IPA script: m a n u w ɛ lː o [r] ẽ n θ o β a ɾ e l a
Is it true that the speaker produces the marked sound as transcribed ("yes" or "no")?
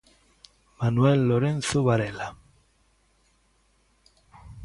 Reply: no